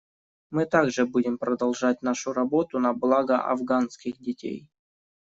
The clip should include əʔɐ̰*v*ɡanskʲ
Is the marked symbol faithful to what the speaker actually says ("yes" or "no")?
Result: yes